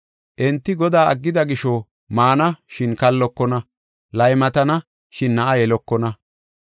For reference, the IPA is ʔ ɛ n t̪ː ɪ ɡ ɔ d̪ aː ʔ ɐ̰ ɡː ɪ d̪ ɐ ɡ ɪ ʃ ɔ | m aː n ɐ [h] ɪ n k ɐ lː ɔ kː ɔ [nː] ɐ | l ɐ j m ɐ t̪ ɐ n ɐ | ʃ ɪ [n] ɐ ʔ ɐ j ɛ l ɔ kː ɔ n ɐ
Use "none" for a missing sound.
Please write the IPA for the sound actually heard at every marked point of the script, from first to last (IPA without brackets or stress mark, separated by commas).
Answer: ʃ, n, nː